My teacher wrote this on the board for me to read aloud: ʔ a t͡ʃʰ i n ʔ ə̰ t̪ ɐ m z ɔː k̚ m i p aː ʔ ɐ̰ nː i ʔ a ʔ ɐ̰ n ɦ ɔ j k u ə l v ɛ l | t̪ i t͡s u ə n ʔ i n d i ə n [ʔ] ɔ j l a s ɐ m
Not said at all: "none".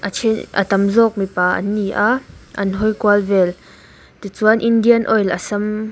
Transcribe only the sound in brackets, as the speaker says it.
ʔ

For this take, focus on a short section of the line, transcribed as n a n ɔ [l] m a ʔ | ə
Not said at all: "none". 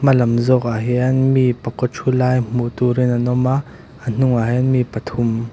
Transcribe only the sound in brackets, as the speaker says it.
none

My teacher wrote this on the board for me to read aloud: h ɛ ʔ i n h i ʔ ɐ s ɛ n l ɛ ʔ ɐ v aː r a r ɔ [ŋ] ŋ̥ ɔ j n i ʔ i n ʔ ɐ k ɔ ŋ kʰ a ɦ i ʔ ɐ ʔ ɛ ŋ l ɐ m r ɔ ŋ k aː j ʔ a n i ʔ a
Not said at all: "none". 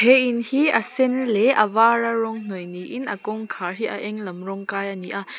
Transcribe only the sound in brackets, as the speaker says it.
ŋ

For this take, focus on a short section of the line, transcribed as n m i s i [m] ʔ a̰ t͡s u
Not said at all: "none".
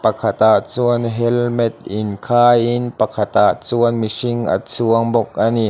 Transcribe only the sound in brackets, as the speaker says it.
ŋ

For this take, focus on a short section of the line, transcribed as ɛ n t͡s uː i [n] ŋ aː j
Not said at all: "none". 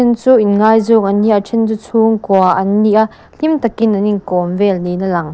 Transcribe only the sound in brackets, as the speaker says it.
n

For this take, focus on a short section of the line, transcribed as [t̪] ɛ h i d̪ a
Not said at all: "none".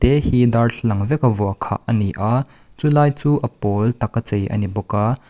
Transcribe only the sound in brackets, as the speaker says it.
t̪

